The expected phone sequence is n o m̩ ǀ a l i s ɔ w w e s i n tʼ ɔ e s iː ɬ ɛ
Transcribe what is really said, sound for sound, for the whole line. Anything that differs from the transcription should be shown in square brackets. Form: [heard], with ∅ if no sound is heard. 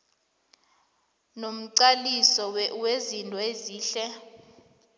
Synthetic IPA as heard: n o m̩ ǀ a l i s ɔ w w e [z] i n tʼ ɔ e [z] iː ɬ ɛ